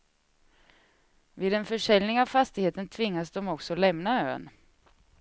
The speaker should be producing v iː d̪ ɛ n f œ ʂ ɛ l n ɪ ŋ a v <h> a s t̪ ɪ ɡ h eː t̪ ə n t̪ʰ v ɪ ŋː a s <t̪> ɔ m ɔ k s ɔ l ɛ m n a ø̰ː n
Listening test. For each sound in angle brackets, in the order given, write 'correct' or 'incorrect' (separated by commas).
incorrect, incorrect